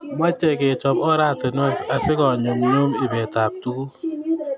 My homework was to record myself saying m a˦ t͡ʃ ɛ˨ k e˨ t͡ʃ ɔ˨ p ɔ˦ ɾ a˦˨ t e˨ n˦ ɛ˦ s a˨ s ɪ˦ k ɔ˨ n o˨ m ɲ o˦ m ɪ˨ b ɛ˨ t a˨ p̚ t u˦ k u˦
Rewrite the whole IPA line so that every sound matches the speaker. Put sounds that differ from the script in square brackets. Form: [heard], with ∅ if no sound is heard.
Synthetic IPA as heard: m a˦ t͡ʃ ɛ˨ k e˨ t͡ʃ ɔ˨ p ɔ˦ ɾ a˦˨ t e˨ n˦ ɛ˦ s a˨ s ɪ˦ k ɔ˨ [ɲ] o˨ m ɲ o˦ m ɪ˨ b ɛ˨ t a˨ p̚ t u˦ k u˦